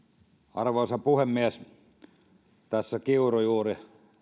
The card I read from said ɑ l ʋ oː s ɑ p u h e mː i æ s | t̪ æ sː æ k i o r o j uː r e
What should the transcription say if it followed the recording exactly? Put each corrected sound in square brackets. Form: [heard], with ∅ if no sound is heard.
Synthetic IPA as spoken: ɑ [r] ʋ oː s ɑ p u h e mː i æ s | t̪ æ sː æ k i [u] r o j uː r [i]